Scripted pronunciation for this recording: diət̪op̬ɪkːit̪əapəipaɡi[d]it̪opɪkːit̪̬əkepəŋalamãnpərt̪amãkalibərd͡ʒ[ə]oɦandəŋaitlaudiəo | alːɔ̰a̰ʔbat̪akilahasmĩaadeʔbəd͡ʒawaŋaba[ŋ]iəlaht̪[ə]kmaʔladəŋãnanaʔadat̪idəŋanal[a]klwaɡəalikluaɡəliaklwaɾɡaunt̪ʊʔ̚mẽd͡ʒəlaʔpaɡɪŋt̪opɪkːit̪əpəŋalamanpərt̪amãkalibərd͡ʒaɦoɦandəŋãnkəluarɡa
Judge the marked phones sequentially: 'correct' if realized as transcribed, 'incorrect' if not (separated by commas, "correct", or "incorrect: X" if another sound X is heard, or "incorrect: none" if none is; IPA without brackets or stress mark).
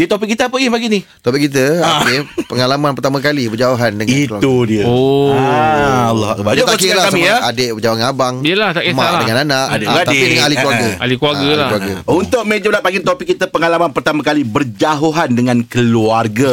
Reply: incorrect: n, incorrect: a, correct, incorrect: a, incorrect: i